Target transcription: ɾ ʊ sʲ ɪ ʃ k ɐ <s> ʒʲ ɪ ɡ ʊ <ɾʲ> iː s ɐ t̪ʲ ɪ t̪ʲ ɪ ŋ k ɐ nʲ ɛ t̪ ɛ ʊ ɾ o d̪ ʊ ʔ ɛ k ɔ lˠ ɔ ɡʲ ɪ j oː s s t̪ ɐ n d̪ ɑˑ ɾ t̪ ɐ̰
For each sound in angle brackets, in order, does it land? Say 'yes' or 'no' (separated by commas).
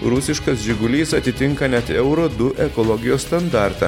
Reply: yes, no